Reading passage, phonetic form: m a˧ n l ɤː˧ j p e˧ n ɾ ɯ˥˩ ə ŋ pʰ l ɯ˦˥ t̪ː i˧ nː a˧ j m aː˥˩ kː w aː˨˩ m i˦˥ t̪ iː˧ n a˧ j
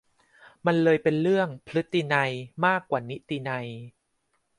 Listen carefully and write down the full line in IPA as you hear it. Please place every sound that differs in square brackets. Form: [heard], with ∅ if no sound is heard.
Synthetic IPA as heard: m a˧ n l ɤː˧ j p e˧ n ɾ ɯ˥˩ ə ŋ pʰ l ɯ˦˥ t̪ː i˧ [n] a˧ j m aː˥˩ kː w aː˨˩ [n] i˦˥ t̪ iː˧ n a˧ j